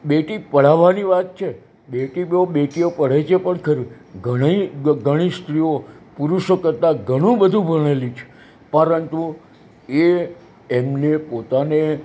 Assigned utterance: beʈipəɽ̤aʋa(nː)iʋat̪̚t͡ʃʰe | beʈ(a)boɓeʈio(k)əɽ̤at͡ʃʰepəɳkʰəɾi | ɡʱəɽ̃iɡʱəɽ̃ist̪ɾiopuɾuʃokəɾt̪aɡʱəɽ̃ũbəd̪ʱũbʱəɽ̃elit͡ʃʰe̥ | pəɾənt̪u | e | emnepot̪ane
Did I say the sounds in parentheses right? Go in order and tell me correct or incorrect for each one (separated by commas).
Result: incorrect, incorrect, incorrect